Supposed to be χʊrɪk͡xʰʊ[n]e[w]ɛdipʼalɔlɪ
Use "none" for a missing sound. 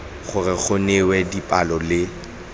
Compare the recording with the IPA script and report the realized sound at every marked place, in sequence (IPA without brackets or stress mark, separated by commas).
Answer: n, w